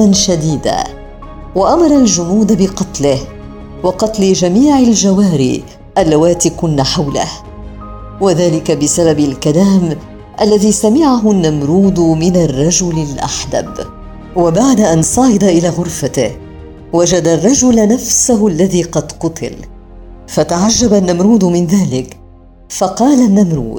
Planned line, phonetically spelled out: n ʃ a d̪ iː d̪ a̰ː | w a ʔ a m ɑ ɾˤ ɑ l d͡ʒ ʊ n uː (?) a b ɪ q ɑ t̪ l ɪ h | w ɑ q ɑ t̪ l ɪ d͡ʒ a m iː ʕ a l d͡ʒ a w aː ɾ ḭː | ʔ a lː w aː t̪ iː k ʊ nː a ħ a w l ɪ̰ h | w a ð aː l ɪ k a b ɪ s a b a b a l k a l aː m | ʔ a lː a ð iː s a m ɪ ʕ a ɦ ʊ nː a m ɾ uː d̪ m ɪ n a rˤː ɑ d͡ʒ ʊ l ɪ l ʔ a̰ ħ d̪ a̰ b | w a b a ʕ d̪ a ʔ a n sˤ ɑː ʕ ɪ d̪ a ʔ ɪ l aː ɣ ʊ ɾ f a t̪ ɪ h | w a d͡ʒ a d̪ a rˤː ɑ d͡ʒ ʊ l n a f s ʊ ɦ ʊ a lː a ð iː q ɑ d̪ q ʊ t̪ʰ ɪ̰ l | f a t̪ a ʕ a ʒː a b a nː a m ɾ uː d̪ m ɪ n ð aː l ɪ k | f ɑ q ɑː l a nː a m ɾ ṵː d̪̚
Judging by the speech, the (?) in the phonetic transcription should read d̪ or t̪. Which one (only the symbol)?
d̪